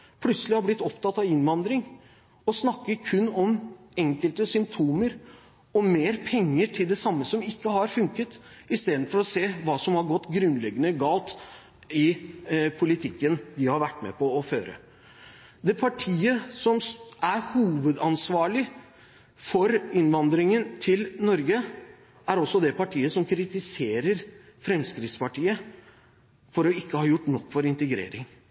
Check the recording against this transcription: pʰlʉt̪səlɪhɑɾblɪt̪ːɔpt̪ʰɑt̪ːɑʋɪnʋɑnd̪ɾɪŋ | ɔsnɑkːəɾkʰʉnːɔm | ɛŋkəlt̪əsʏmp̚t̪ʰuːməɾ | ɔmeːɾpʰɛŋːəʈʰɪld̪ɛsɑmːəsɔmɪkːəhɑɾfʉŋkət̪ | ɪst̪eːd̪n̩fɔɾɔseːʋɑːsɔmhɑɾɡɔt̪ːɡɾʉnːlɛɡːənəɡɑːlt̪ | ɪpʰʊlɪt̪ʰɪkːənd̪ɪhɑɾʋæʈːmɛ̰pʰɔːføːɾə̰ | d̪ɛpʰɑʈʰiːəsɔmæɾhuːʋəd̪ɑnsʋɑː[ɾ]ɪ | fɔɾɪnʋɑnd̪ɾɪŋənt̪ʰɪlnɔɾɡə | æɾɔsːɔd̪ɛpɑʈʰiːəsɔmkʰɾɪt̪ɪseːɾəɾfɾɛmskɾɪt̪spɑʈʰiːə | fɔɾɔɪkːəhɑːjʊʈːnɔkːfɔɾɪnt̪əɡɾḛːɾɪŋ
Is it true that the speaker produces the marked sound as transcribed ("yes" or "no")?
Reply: no